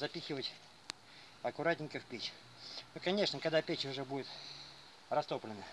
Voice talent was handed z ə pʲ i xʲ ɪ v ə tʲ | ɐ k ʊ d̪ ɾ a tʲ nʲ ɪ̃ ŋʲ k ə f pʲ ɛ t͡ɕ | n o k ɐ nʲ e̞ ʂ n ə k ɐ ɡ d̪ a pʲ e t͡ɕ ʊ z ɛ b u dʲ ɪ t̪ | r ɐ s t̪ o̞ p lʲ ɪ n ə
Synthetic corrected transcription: z ɐ pʲ i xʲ ɪ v ə tʲ | ɐ k ʊ ɾ a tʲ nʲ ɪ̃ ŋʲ k ə f pʲ e t͡ɕ | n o k ɐ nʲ e̞ ʂ n ə k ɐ ɡ d̪ a pʲ e t͡ɕ ʊ ʐ ɛ b u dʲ ɪ t̪ | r ɐ s t̪ o̞ p lʲ ɪ n ə